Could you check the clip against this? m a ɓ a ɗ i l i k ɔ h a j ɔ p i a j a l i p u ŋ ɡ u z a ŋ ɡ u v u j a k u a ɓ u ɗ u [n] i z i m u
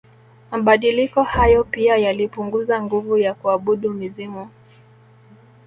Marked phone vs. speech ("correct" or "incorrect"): incorrect